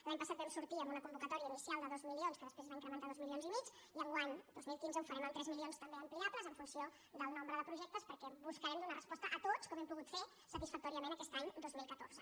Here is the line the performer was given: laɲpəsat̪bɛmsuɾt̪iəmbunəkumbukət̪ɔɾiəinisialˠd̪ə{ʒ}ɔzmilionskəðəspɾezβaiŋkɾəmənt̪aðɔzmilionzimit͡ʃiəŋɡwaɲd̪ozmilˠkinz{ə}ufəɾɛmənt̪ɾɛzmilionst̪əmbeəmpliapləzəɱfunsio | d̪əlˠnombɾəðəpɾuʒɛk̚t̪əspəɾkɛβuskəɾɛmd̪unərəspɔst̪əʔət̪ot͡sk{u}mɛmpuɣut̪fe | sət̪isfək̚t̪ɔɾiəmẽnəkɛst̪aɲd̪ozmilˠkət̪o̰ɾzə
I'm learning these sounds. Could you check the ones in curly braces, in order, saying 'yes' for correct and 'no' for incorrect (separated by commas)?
no, yes, no